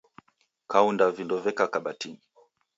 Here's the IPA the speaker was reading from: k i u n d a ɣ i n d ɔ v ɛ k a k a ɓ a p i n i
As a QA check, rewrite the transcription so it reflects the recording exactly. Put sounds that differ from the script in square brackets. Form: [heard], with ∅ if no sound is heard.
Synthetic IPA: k [a] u n d a [v] i n d ɔ v ɛ k a k a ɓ a [t] i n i